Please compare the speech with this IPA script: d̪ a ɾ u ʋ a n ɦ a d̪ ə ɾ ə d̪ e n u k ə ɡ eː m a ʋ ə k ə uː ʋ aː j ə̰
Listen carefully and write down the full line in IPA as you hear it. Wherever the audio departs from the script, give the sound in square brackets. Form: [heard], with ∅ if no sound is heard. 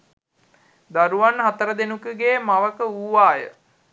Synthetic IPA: d̪ a ɾ u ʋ a n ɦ a [t̪] ə ɾ ə d̪ e n u k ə ɡ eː m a ʋ ə k ə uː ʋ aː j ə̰